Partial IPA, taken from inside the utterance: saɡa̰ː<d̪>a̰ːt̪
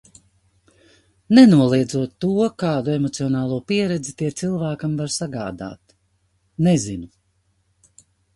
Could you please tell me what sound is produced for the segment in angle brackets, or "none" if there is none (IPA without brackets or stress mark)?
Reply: d̪